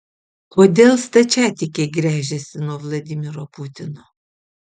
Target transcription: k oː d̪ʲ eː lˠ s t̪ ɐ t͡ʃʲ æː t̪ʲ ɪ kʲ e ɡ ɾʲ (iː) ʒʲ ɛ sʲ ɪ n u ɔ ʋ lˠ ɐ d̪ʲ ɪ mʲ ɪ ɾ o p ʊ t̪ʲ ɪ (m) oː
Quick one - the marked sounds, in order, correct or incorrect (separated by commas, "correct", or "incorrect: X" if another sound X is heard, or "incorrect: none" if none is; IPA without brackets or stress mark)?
incorrect: æː, incorrect: n